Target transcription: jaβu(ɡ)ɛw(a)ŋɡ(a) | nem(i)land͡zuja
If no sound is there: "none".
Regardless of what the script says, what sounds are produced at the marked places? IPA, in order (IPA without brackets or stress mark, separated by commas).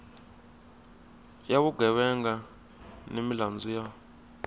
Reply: ɡ, ɛ, a, i